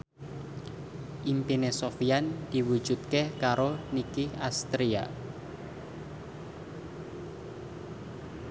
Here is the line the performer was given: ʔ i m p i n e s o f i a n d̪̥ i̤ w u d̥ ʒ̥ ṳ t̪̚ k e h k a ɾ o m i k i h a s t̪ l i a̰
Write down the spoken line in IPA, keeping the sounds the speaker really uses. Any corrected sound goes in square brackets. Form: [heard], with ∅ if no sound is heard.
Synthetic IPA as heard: ʔ i m p i n e s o f i a n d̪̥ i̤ w u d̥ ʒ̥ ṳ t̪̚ k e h k a ɾ o [n] i k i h a s t̪ [ɾ] i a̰